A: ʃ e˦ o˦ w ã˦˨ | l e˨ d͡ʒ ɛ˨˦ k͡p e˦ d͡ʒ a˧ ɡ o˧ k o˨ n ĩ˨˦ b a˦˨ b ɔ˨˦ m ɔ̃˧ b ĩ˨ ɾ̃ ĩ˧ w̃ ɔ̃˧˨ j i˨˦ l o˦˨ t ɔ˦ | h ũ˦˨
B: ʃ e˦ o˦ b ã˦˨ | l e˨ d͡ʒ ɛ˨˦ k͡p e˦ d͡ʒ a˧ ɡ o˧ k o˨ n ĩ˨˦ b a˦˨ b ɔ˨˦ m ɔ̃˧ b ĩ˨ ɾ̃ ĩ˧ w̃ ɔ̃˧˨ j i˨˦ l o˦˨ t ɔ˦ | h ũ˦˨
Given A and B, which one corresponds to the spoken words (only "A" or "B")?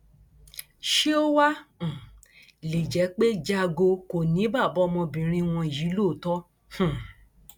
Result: A